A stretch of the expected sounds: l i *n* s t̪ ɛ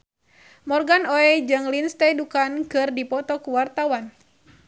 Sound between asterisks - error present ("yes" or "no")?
no